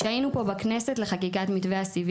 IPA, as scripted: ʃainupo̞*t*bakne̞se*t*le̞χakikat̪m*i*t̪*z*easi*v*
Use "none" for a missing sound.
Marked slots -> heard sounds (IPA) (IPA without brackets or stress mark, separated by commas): none, t, i, v, v